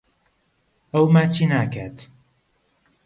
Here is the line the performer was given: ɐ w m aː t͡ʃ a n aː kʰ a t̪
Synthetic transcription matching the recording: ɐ w m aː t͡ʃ i n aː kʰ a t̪